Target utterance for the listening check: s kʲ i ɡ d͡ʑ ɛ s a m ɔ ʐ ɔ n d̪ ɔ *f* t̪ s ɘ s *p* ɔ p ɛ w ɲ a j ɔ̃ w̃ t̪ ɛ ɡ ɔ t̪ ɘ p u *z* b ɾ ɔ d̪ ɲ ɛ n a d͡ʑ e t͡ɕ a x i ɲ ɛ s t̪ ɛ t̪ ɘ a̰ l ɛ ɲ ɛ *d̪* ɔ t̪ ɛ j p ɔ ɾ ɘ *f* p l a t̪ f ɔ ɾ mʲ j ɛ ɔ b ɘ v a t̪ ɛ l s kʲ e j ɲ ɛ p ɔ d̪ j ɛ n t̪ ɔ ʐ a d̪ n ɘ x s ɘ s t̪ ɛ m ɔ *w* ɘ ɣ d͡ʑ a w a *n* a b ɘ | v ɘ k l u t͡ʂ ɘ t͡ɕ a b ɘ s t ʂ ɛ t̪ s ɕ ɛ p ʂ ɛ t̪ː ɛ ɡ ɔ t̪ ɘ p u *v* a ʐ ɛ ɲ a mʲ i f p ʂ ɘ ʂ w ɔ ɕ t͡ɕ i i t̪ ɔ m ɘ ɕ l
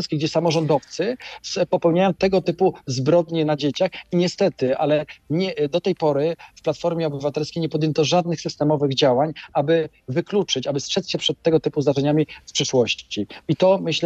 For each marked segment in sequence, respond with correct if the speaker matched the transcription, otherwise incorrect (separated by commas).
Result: correct, correct, correct, correct, correct, incorrect, incorrect, incorrect